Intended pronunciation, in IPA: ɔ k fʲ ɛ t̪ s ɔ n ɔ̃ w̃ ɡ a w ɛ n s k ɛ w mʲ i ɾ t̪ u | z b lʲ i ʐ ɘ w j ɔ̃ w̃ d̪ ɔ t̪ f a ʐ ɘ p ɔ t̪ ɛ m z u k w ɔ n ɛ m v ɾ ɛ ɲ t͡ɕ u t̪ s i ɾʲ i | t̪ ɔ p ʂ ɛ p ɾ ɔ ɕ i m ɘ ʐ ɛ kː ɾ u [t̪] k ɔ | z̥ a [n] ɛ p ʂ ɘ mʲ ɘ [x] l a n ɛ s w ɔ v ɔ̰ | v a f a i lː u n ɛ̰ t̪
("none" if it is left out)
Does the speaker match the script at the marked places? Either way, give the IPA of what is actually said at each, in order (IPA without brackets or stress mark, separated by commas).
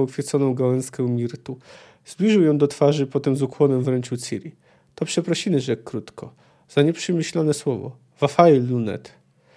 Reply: t̪, ɲ, ɕ